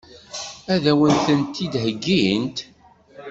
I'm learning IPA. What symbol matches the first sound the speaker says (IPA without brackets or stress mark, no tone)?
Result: æ